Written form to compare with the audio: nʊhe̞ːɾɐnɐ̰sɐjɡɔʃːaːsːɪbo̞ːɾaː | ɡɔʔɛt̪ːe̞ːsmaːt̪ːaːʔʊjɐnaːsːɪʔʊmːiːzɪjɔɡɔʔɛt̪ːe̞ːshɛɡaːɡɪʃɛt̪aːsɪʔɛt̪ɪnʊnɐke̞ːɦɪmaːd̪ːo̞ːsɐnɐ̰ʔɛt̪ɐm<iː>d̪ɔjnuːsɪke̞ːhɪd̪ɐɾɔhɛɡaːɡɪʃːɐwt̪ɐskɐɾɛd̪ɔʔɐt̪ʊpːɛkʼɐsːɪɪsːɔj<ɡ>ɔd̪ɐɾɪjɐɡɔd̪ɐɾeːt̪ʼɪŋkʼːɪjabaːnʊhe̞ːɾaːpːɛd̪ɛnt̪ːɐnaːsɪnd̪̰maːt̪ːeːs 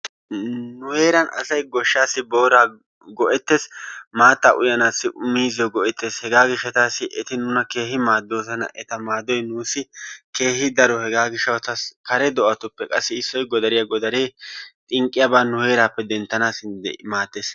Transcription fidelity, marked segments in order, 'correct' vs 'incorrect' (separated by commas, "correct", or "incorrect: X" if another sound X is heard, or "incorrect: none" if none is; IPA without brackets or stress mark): incorrect: aː, correct